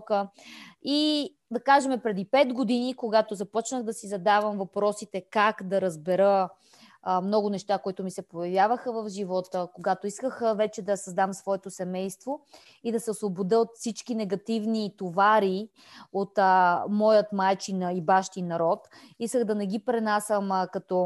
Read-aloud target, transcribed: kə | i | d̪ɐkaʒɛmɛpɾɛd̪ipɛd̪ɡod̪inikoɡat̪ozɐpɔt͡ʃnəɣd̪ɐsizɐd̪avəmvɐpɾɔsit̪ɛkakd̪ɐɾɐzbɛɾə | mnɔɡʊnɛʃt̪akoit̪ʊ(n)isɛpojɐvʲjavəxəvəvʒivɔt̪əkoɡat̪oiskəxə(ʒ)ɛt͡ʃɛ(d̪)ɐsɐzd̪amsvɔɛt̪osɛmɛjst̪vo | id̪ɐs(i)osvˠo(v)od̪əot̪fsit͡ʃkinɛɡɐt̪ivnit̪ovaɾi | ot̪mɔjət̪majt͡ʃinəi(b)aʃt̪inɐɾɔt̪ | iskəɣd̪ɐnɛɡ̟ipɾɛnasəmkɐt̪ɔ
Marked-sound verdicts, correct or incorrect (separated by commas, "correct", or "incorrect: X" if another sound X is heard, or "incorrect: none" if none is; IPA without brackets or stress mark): incorrect: m, incorrect: v, correct, incorrect: ɛ, incorrect: b, correct